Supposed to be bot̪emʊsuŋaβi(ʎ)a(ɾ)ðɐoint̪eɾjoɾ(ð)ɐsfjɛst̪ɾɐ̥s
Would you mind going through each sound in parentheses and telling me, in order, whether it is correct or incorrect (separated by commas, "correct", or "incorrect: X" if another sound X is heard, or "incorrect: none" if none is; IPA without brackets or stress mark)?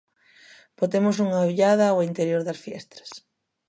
correct, incorrect: none, correct